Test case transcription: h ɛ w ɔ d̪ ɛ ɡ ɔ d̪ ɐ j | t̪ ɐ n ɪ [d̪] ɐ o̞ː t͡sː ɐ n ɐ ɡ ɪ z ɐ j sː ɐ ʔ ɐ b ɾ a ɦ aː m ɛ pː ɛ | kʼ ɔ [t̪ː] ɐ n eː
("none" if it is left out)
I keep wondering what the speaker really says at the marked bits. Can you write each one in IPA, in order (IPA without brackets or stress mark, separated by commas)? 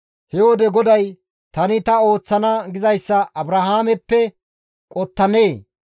t̪, t̪ː